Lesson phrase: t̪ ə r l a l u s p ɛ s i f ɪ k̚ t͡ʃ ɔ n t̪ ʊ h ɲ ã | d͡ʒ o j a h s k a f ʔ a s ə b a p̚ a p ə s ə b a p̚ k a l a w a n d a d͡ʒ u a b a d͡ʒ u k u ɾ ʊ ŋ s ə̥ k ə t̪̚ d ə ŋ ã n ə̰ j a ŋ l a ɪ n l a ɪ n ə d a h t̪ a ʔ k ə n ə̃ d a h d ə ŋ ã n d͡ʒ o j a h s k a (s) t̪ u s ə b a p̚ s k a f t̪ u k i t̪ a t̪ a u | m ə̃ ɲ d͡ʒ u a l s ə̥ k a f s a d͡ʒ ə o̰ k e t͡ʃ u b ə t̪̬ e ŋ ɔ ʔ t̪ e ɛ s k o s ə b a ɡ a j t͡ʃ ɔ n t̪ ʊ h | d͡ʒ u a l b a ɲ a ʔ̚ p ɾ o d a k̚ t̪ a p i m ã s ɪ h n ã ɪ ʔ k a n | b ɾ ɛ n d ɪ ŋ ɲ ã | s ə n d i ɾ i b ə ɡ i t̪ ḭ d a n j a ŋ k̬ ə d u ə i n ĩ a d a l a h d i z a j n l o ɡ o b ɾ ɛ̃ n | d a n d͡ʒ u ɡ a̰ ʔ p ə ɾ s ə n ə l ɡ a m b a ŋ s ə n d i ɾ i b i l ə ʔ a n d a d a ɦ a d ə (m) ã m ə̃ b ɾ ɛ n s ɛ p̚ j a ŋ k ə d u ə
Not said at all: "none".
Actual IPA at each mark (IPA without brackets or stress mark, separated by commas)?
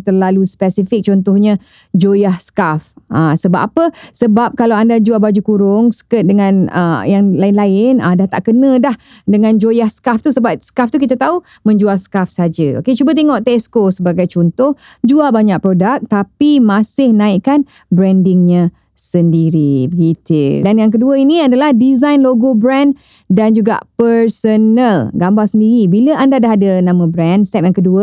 f, n